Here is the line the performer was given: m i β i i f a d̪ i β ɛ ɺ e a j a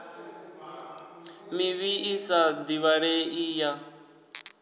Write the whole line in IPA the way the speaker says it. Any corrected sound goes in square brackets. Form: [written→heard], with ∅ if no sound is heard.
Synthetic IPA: m i β i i [f→s] a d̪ i β [ɛ→a] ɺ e [a→i] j a